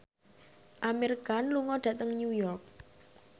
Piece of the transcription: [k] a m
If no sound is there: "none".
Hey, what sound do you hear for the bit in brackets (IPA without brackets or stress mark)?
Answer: ʔ